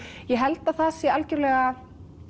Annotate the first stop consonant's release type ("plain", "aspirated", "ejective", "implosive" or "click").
plain